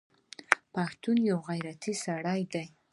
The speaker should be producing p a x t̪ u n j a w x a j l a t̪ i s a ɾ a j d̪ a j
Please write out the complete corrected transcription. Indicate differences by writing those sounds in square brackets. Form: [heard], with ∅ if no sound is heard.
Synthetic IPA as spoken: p a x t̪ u n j a w [ɣ] a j [ɾ] a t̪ i s a [ɽ] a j d̪ a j